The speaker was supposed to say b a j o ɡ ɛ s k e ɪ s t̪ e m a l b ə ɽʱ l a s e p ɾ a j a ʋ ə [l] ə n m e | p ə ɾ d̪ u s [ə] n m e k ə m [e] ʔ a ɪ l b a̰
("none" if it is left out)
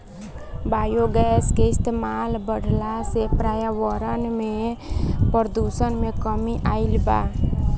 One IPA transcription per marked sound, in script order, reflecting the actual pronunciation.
ɾ, ə, i

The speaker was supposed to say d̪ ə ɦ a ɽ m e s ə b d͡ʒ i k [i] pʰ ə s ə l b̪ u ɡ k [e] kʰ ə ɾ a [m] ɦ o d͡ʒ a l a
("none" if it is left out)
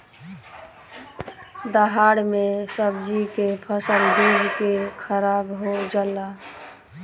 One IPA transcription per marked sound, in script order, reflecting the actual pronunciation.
e, e, b

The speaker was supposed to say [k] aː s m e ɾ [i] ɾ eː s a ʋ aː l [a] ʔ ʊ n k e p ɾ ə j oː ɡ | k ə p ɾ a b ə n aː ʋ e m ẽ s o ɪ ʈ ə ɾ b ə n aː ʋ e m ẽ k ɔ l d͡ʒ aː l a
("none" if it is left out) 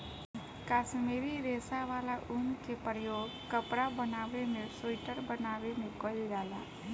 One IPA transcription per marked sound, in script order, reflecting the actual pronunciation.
k, i, a

